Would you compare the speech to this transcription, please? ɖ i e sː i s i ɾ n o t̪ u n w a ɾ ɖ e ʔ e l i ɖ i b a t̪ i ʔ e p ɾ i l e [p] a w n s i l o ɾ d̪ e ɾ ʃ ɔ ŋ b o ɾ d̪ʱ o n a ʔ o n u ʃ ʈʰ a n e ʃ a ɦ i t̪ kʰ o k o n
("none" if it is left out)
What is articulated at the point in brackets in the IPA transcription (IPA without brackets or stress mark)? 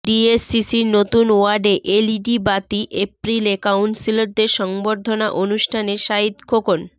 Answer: k